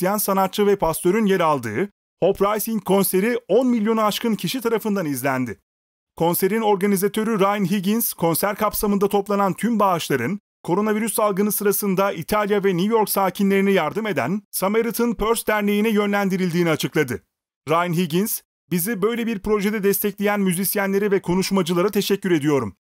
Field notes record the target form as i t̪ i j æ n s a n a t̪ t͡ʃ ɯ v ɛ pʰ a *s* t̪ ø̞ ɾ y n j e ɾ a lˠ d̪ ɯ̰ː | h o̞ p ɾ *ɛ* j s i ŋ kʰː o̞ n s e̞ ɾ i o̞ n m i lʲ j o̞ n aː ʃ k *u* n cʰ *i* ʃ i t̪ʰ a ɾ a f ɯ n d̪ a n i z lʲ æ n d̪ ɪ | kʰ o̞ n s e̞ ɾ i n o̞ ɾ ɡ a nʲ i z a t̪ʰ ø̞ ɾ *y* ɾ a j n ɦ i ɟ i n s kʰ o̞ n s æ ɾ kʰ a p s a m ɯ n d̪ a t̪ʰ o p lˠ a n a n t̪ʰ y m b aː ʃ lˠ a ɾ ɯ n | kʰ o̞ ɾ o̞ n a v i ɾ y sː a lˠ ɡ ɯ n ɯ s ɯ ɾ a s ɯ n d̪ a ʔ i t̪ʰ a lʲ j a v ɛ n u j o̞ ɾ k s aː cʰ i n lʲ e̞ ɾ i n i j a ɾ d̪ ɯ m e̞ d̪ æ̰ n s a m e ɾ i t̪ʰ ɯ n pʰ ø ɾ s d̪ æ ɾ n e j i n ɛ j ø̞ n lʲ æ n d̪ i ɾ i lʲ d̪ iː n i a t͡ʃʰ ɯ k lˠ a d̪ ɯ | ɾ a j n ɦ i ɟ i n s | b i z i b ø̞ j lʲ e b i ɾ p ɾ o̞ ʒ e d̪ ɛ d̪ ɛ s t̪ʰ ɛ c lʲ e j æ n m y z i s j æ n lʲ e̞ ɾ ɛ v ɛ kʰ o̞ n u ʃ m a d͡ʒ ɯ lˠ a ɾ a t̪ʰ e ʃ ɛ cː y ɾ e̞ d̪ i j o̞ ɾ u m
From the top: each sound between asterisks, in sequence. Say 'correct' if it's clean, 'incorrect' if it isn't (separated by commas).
correct, incorrect, incorrect, correct, correct